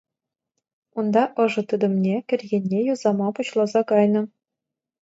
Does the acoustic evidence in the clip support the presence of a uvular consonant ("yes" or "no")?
no